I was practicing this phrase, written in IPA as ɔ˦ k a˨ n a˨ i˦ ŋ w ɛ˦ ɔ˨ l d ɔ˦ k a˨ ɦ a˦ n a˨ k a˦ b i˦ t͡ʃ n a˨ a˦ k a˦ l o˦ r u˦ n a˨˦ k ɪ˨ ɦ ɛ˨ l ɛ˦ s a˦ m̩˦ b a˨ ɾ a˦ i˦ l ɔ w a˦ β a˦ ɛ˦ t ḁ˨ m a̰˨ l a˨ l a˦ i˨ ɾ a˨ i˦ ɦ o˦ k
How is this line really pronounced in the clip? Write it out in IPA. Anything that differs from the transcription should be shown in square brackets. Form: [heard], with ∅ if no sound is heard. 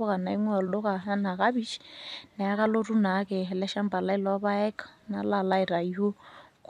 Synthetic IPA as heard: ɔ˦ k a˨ n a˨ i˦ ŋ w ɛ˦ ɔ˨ l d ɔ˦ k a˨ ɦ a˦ n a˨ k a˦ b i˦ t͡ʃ n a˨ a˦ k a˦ l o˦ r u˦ n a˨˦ k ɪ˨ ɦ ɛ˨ l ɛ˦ [ʃ] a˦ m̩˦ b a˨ [l] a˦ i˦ l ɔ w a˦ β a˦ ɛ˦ [k] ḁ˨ [n] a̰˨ l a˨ l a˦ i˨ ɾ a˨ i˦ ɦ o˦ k